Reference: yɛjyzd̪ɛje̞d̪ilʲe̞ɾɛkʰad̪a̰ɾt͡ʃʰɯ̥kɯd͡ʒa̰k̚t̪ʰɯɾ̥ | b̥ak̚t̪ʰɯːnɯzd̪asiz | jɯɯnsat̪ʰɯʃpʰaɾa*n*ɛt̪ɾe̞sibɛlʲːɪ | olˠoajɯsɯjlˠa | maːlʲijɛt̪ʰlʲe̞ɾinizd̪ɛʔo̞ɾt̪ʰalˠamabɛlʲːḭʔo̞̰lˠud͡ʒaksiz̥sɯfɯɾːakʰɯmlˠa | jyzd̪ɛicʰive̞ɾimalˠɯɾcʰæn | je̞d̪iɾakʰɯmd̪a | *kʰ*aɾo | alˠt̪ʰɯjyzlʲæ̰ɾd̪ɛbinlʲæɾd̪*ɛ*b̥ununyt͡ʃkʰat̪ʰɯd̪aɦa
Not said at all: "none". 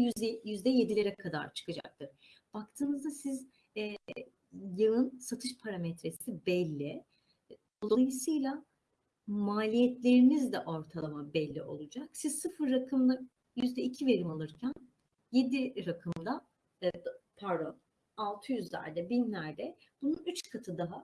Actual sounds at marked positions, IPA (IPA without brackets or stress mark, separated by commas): m, pʰ, ɛ